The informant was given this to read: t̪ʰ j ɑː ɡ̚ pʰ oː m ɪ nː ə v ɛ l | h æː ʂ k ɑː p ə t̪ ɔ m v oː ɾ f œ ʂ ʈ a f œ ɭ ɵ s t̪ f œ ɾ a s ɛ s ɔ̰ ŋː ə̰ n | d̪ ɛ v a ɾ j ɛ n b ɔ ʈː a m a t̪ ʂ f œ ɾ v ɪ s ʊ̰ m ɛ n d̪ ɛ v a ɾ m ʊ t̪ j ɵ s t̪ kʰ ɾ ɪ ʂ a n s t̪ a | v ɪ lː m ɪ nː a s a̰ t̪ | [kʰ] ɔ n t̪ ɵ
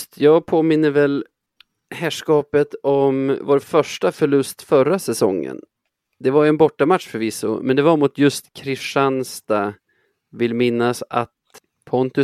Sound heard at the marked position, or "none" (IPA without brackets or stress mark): pʰ